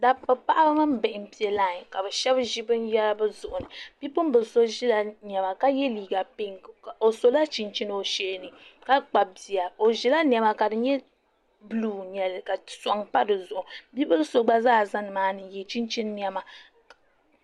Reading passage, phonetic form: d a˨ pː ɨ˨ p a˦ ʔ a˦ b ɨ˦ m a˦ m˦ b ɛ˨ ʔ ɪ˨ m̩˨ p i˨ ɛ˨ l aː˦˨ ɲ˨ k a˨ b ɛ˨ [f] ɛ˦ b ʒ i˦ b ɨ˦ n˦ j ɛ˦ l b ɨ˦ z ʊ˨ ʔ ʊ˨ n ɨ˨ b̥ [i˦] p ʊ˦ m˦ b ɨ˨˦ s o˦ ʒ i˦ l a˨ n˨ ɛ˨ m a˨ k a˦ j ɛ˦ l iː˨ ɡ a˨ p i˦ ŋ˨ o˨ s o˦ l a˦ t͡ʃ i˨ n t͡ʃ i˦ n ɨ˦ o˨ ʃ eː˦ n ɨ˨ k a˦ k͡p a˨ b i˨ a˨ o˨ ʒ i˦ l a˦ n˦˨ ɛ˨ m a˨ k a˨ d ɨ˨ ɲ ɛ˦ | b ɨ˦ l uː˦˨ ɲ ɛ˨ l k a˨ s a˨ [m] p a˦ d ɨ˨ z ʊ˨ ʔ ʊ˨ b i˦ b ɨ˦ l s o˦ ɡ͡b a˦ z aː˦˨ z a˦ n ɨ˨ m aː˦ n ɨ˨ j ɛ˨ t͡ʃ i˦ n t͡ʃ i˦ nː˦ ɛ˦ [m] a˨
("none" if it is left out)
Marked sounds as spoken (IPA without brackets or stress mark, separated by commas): ʃ, i˦, ŋ, m